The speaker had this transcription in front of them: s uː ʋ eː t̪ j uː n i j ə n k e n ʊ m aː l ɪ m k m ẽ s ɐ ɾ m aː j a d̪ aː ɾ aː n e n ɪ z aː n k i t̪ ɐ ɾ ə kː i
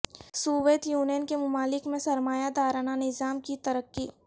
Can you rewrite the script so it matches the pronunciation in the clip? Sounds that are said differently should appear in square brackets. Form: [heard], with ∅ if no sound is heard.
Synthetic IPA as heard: s uː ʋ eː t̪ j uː n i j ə n k e [m] ʊ m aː l ɪ [∅] k m ẽ s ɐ ɾ m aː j a d̪ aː ɾ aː n [a] n ɪ z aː [m] k i t̪ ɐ ɾ ə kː i